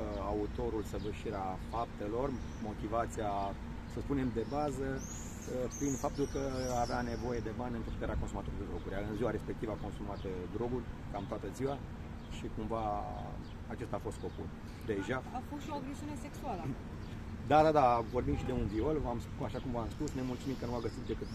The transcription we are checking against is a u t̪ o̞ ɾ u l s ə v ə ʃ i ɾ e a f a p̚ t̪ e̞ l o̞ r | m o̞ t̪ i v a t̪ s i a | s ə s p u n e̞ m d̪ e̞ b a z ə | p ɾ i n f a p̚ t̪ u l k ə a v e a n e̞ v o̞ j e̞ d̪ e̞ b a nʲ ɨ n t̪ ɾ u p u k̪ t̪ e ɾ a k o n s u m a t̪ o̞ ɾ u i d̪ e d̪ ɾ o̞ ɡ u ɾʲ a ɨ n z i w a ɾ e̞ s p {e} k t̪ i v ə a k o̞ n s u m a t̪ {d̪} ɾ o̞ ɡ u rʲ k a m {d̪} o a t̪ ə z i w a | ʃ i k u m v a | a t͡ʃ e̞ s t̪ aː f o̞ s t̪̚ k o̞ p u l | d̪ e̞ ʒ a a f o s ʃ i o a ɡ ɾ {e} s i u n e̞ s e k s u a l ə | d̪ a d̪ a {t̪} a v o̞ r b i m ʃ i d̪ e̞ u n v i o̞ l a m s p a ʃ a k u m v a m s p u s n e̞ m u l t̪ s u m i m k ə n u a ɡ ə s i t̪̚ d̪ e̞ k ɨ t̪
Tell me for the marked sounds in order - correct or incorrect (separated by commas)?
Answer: correct, correct, incorrect, correct, incorrect